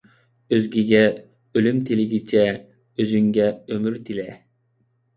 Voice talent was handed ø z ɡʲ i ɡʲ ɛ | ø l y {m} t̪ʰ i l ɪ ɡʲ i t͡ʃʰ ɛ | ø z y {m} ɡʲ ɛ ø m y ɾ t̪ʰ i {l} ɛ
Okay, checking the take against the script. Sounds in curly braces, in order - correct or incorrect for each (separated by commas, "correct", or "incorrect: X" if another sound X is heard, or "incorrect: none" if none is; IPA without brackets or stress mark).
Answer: correct, incorrect: ŋ, correct